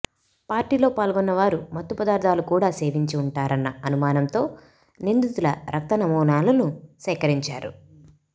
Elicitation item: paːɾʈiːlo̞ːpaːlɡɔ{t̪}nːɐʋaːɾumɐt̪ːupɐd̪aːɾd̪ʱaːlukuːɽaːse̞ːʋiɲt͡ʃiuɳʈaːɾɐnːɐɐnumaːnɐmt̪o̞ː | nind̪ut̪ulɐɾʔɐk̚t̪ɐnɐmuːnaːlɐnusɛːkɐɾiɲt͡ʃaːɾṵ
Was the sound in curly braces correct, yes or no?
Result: no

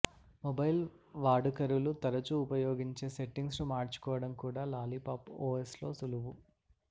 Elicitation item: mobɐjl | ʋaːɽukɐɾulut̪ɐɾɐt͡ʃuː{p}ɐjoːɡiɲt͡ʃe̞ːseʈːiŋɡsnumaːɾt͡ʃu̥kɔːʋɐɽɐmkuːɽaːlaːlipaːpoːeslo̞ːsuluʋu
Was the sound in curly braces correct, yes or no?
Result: yes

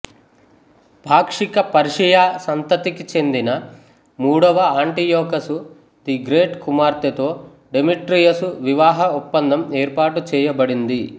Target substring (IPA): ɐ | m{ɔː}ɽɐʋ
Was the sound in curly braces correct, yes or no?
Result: no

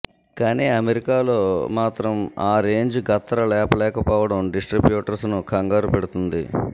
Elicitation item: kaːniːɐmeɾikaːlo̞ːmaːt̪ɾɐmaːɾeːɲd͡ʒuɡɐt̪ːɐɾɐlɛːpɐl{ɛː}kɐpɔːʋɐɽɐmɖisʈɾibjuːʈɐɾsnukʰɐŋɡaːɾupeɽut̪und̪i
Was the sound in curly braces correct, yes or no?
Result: yes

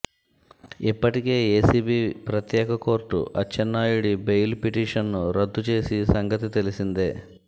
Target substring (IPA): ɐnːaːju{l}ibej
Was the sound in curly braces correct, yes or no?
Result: no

